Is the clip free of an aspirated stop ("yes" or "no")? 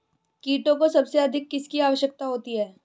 yes